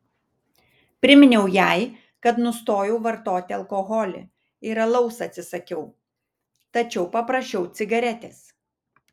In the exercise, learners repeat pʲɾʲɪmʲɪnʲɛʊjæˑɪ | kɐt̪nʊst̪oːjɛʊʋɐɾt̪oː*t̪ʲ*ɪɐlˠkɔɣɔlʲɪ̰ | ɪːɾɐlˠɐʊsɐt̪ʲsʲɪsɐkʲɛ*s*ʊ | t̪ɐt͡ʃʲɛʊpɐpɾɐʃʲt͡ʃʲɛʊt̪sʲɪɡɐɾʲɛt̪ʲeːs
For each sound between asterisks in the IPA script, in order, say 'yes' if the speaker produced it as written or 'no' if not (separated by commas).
yes, no